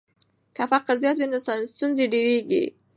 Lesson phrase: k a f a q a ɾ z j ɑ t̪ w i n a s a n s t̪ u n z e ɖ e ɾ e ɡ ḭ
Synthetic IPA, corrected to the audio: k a f a q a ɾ z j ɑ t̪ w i n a s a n s t̪ u n z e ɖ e ɾ e ɡ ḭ